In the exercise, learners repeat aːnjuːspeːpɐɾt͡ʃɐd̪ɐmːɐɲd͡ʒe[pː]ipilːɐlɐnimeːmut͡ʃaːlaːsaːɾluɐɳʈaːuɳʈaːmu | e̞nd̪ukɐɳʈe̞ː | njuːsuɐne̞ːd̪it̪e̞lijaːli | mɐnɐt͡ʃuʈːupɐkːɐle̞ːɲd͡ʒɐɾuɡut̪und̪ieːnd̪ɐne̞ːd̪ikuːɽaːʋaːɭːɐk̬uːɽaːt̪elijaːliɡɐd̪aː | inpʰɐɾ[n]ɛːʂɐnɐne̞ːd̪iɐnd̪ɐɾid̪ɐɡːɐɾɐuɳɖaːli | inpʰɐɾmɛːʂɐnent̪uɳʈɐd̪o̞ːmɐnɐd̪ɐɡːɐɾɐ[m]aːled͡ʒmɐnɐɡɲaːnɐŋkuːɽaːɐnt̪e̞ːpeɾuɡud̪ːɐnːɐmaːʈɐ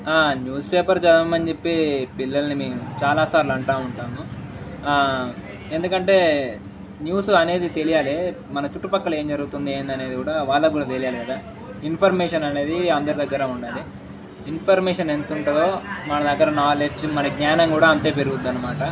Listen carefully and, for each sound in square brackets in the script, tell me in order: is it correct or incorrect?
correct, incorrect, incorrect

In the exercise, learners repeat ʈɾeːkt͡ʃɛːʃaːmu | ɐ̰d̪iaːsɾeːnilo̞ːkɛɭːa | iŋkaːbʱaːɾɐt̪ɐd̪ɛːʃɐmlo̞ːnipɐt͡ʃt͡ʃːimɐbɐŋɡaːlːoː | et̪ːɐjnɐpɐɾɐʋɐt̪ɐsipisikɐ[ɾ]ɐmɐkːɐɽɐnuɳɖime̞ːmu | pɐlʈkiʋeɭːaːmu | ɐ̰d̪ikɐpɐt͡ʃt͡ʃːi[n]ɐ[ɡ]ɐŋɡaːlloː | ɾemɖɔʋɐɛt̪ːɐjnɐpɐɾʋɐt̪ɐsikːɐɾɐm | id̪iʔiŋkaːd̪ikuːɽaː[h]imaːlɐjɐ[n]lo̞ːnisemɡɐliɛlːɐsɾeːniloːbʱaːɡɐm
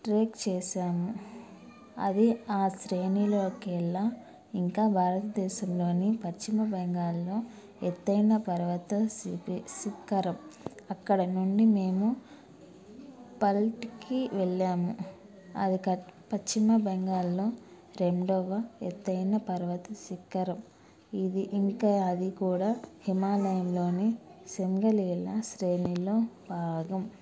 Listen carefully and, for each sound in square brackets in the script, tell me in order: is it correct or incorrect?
correct, incorrect, incorrect, correct, incorrect

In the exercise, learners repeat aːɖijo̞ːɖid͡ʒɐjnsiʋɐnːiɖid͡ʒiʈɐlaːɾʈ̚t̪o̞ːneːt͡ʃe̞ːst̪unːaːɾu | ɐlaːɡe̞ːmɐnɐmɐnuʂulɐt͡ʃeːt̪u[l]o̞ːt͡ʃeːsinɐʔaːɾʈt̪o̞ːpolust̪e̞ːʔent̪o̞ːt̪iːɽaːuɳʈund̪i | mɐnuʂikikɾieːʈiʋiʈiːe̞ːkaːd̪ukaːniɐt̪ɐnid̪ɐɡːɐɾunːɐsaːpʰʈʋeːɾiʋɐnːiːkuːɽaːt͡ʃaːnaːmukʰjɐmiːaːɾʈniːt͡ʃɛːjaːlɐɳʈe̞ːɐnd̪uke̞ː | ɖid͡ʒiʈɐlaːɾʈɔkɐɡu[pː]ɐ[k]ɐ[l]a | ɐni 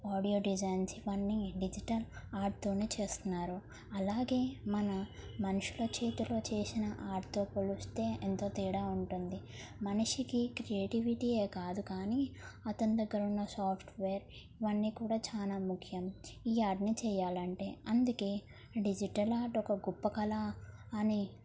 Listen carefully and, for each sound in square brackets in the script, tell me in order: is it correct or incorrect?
correct, correct, correct, correct

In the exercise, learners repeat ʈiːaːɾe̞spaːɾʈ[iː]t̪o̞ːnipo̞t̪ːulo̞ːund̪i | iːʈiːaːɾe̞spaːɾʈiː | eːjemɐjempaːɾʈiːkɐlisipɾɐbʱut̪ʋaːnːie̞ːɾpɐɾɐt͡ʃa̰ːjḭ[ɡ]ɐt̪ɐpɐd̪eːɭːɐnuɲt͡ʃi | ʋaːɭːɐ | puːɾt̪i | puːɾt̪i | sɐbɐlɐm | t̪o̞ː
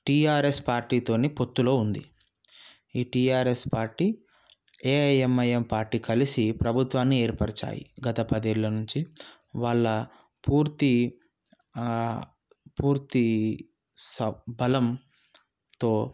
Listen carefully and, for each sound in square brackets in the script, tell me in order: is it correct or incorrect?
correct, correct

